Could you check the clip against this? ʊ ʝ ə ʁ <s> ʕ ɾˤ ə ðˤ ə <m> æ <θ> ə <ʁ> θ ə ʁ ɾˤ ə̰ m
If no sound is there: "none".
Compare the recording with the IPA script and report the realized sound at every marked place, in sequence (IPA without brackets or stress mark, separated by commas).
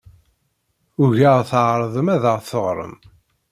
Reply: θ, m, ð, ʁ